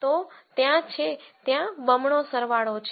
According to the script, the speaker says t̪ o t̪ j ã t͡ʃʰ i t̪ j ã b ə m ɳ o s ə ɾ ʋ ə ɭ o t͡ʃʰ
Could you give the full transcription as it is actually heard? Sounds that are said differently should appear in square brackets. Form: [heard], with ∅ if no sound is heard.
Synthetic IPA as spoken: t̪ o t̪ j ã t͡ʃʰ [e] t̪ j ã b ə m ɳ o s ə ɾ ʋ [a] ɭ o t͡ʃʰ